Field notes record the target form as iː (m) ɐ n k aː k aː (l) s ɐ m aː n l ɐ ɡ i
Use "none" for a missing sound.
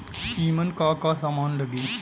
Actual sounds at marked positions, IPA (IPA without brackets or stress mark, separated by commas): m, none